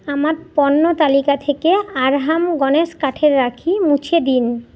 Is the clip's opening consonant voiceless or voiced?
voiced